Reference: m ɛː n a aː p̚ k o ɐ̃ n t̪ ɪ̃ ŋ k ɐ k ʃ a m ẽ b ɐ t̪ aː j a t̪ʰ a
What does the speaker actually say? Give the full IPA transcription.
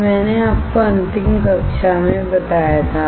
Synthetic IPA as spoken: m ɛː n e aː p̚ k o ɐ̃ n t̪ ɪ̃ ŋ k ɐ k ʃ a m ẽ b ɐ t̪ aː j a t̪ʰ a